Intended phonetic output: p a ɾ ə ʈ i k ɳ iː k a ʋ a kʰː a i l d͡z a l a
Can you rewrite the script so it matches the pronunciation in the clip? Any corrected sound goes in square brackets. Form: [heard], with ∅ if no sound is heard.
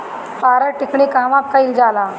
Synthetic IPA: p a ɾ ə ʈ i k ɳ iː k a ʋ a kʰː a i l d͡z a l a